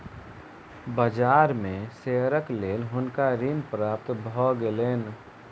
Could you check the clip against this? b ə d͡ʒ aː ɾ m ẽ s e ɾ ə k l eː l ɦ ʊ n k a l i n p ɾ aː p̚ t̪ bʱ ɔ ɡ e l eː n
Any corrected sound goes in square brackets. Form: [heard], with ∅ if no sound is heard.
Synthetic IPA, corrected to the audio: b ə d͡ʒ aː ɾ m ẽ s e ɾ ə k l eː l ɦ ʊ n k a [ɾ] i n p ɾ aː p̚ t̪ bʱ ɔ ɡ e l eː n